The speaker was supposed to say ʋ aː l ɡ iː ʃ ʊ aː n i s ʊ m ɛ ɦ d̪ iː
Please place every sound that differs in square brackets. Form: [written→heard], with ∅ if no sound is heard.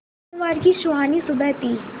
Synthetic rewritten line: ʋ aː [l→ɾ] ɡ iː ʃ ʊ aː n i s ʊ [m→b] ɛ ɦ [d̪→t̪] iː